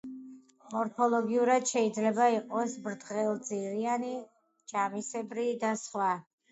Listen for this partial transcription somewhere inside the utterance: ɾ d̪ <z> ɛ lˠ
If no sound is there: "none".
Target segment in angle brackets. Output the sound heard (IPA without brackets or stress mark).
ʁ